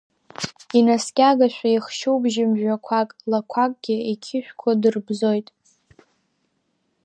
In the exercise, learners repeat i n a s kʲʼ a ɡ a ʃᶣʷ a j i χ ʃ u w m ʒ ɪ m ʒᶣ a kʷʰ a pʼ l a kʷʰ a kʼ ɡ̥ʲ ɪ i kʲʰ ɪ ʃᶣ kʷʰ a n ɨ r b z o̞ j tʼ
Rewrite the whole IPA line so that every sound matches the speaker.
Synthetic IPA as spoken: i n a s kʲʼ a ɡ a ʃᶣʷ a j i χ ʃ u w b ʒ ɪ m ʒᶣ a kʷʰ a kʼ l a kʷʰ a kʼ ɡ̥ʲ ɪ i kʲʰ ɪ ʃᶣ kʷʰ a d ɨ r b z o̞ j tʼ